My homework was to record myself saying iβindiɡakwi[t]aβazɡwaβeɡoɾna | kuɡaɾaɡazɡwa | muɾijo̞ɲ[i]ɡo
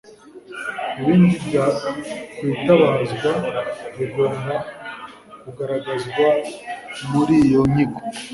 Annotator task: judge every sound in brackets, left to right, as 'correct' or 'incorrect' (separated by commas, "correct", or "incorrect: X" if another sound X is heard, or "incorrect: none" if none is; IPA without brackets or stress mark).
correct, correct